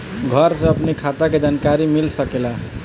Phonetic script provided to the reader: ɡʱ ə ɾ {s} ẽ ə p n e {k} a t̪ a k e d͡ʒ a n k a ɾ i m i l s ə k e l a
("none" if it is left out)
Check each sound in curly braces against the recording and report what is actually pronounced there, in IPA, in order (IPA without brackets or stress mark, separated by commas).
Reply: s, kʰ